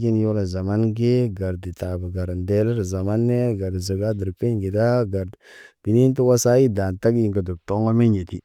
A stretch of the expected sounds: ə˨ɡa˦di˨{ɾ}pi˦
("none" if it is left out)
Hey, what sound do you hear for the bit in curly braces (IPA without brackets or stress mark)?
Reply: ɾ